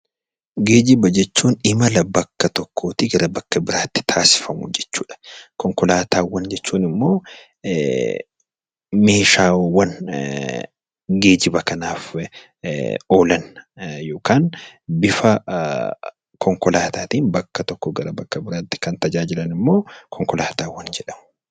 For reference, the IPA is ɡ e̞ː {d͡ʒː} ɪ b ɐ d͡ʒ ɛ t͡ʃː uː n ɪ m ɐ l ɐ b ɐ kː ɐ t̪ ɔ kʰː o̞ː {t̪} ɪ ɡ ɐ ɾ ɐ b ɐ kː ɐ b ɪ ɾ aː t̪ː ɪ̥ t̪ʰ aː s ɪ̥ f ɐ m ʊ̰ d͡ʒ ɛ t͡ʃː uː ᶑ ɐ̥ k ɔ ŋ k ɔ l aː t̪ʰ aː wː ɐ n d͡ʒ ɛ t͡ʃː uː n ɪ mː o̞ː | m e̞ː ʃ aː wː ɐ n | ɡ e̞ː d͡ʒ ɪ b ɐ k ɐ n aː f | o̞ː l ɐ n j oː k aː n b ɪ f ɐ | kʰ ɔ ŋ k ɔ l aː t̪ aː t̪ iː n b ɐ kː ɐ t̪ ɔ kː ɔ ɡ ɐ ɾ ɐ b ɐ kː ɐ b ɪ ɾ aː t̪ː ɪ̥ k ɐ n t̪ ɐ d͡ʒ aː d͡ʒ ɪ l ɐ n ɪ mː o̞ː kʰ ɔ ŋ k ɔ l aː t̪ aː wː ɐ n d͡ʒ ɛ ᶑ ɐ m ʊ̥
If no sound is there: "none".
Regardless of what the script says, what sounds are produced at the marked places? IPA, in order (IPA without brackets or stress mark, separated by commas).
d͡ʒ, t̪